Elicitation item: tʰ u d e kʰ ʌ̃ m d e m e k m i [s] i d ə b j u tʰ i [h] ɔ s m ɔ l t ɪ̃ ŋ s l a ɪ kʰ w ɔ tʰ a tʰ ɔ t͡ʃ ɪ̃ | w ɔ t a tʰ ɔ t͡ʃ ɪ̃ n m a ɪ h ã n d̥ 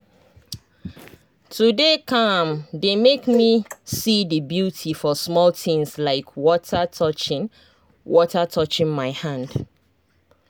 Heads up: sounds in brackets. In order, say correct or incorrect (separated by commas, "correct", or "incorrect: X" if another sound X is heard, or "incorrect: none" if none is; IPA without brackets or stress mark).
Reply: correct, incorrect: f